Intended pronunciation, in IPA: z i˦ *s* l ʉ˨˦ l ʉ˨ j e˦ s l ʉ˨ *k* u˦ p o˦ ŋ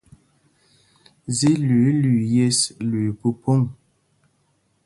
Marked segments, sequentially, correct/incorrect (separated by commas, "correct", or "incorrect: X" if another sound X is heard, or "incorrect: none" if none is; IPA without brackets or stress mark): incorrect: none, incorrect: p